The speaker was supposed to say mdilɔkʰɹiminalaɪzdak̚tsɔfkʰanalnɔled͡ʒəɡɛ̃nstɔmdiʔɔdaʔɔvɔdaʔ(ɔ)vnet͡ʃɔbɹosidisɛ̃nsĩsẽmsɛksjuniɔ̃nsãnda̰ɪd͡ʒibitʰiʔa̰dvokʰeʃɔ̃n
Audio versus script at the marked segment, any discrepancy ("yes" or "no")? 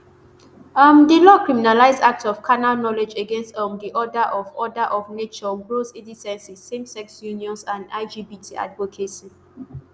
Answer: no